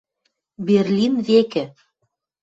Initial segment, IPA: b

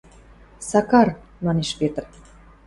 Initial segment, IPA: s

